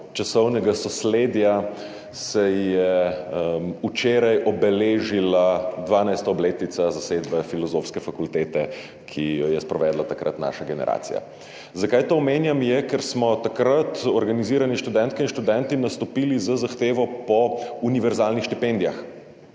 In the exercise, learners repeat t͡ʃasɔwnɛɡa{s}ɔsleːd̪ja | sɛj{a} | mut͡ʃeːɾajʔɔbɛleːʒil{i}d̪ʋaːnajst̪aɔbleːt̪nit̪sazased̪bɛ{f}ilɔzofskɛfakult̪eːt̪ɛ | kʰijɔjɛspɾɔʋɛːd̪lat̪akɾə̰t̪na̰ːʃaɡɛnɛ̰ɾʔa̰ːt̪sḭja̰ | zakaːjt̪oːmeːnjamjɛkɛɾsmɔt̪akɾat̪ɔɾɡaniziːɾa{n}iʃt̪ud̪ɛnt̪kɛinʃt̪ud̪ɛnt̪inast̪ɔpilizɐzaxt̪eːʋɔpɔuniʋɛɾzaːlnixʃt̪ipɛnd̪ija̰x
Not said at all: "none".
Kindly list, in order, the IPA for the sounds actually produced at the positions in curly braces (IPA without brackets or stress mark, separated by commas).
s, ɛ, a, f, n